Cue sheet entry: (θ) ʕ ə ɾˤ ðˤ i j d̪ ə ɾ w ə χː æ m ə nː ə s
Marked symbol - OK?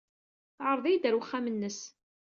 yes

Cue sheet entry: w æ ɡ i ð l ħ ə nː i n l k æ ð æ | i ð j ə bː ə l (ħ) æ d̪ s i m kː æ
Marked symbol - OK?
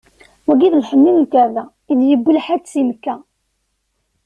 yes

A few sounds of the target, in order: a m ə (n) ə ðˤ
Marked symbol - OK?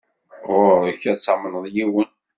yes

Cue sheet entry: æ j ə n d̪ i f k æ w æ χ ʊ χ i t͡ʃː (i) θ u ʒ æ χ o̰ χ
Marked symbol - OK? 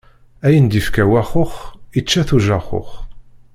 no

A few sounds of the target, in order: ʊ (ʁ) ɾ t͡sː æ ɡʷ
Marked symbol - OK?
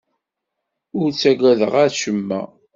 no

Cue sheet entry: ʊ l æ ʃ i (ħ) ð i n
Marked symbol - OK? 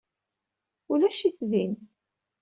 no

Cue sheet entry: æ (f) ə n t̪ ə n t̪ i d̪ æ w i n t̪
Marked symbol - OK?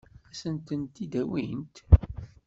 no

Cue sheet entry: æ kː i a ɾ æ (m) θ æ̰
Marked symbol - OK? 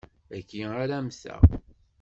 yes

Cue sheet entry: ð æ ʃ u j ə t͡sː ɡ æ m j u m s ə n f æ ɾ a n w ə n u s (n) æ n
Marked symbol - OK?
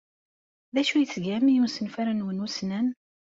yes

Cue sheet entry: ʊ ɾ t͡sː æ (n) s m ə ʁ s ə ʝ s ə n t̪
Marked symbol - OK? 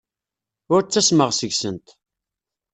no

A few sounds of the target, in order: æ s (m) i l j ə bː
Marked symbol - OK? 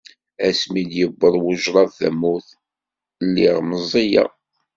yes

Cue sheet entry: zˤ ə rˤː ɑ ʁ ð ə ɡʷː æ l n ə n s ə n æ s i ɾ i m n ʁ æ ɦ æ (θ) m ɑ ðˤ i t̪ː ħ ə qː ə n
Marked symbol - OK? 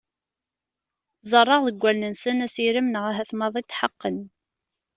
yes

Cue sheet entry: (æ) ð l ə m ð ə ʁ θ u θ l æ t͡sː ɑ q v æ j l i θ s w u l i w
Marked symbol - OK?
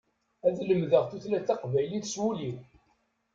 yes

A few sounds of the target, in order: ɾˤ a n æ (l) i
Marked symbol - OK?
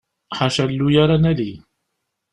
yes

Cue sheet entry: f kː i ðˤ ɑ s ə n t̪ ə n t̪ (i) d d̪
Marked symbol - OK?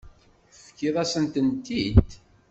yes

